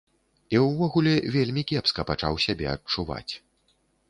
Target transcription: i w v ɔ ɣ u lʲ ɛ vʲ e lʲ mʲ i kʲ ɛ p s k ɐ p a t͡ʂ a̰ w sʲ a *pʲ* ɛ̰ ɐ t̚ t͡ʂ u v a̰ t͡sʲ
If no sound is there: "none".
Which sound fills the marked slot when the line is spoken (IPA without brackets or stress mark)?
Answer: bʲ